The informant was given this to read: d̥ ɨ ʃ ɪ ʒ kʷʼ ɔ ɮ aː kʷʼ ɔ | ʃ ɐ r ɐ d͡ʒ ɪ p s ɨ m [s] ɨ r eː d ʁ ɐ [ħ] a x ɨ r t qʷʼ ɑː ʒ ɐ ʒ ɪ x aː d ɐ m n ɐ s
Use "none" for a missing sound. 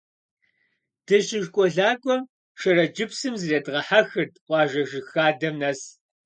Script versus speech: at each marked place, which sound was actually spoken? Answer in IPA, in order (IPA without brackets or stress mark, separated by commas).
z, ħ